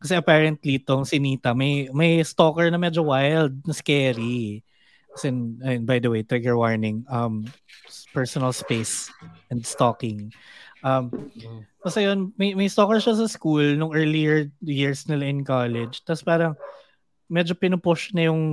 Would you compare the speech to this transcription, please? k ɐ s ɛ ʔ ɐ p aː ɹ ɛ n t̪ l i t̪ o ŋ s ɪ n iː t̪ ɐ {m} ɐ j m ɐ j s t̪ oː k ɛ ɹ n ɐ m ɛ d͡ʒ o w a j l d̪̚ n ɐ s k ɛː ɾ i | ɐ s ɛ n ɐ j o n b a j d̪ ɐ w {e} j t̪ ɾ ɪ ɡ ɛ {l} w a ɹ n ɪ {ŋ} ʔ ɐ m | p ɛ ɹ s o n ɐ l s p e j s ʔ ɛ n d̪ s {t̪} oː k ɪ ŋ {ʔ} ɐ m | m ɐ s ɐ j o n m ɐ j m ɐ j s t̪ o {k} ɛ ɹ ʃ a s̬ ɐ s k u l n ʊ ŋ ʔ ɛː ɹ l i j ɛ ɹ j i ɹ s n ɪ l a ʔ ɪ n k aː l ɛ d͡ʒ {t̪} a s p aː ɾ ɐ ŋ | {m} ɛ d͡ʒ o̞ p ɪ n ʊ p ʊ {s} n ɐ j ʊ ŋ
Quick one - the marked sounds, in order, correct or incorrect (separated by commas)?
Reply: correct, correct, incorrect, correct, correct, correct, correct, correct, correct, incorrect